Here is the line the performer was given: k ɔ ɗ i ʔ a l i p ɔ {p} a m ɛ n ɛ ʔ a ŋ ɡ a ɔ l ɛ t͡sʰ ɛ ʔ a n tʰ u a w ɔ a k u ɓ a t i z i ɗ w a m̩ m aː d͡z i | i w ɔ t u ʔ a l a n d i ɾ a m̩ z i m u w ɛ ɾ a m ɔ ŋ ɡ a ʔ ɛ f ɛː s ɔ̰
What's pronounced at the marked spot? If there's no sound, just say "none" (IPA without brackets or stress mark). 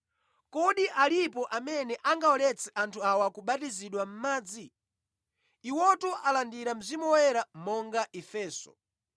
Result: ʔ